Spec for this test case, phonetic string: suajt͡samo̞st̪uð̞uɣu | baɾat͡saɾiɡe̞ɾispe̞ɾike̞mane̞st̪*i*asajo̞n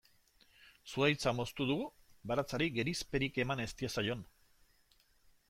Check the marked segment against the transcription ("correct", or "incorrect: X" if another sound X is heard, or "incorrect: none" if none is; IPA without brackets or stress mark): correct